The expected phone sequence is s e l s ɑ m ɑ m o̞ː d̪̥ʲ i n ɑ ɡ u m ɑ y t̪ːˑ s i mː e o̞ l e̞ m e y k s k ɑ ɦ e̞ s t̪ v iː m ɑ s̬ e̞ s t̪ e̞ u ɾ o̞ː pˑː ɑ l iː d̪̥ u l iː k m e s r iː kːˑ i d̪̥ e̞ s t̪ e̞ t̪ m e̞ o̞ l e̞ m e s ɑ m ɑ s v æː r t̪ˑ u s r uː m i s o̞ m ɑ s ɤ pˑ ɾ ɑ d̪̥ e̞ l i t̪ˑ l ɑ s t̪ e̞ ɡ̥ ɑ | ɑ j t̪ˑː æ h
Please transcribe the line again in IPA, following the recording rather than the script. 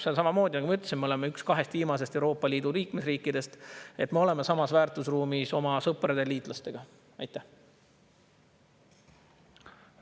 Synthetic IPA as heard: s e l s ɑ m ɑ m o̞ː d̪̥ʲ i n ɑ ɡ u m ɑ y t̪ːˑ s i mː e o̞ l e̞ m e y k s k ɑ ɦ e̞ s t̪ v iː m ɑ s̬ e̞ s t̪ e̞ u ɾ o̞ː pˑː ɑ l iː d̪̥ u l iː k m e s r iː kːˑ i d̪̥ e̞ s t̪ e̞ t̪ m e̞ o̞ l e̞ m e s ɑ m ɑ s v æː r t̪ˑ u s r uː m i s o̞ m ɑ s ɤ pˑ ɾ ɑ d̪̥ e̞ l iː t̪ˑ l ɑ s t̪ e̞ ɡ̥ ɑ | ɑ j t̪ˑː æ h